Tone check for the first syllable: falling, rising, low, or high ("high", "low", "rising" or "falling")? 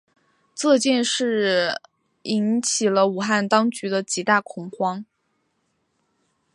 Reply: falling